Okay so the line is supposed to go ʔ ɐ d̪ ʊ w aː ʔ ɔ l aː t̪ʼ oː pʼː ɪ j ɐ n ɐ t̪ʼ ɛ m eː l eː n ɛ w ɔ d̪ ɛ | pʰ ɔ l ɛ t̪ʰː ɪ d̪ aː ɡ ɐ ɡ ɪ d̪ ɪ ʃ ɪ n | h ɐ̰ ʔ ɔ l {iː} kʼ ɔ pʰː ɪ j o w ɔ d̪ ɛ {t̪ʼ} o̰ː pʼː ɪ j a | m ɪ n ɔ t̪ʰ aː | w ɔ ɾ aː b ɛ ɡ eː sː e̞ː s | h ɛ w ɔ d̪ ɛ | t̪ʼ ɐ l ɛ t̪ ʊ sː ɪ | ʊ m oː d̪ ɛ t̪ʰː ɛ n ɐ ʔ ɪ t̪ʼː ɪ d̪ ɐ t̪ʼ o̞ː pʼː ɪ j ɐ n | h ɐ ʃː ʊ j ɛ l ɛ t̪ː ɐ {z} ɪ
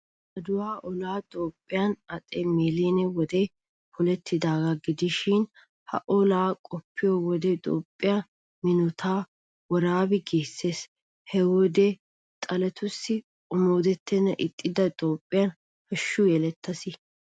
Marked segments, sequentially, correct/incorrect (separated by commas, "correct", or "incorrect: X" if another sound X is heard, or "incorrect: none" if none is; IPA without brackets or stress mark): incorrect: aː, correct, incorrect: s